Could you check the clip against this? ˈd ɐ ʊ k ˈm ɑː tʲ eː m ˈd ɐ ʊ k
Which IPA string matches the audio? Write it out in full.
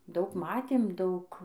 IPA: ˈd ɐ ʊ k ˈm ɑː tʲ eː m ˈd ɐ ʊ k